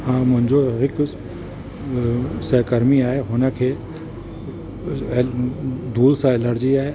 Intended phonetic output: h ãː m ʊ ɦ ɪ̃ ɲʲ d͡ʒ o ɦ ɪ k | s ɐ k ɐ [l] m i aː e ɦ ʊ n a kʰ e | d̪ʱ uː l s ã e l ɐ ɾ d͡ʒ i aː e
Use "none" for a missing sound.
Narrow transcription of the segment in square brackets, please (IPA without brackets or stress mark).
ɾ